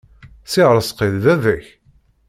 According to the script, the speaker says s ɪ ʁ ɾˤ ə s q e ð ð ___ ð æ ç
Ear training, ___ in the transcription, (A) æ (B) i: A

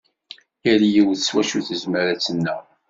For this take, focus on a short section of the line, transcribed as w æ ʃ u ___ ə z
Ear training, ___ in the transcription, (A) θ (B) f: A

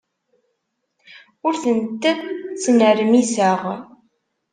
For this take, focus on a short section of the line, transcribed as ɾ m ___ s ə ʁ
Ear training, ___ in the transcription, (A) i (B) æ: A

